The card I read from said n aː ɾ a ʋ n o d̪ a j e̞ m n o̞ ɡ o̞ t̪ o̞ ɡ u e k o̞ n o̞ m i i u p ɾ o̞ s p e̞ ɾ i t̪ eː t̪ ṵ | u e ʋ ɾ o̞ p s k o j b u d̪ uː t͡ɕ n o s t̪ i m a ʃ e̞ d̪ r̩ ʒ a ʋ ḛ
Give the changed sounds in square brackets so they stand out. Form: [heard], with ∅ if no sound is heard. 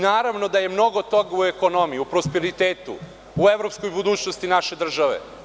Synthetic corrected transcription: n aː ɾ a ʋ n o d̪ a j e̞ m n o̞ ɡ o̞ t̪ o̞ ɡ u e k o̞ n o̞ m i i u p ɾ o̞ s p e̞ ɾ i t̪ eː t̪ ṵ | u e ʋ ɾ o̞ p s k o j b u d̪ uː t͡ɕ n o s t̪ i [n] a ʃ e̞ d̪ r̩ ʒ a ʋ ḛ